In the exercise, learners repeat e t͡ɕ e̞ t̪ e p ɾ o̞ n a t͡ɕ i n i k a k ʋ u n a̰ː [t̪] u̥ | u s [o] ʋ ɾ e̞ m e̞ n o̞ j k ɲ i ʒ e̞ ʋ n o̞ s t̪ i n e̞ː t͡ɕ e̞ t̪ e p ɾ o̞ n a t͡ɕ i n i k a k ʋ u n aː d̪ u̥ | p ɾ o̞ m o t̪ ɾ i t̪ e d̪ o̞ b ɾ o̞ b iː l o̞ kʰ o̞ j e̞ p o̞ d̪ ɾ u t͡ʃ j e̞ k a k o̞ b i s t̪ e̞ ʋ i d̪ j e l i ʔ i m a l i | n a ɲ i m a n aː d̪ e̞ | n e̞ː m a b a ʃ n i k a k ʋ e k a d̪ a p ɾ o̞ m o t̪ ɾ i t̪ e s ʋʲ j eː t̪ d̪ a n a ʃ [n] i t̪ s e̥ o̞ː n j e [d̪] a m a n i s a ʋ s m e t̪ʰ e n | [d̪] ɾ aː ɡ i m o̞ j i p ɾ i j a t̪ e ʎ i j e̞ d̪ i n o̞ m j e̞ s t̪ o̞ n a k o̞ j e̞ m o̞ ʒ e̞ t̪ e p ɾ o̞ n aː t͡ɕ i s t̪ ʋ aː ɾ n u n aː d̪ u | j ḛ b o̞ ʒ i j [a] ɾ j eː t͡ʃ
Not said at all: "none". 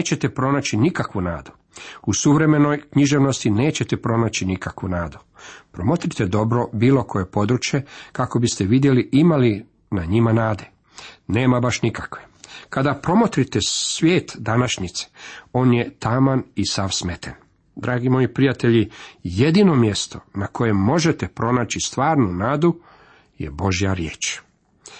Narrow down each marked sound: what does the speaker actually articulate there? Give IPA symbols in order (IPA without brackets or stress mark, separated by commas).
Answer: d̪, u, ɲ, t̪, d̪, a